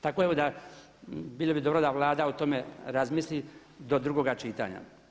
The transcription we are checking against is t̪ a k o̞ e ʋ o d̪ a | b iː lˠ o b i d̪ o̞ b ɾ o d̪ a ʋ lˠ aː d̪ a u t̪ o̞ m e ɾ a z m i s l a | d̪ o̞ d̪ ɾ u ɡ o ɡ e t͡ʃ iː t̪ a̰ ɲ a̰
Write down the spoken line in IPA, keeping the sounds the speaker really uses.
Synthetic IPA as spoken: t̪ a k o̞ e ʋ o d̪ a | b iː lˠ o b i d̪ o̞ b ɾ o d̪ a ʋ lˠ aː d̪ a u t̪ o̞ m e ɾ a z m i s l i | d̪ o̞ d̪ ɾ u ɡ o ɡ a t͡ʃ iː t̪ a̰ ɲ a̰